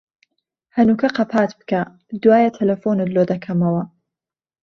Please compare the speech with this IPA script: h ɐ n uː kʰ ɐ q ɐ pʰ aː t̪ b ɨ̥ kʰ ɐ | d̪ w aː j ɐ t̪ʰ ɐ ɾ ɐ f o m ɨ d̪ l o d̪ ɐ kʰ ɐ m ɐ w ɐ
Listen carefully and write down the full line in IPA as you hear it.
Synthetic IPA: h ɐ n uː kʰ ɐ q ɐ pʰ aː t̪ b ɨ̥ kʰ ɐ | d̪ w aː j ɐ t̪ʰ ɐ l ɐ f o n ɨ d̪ l o d̪ ɐ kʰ ɐ m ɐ w ɐ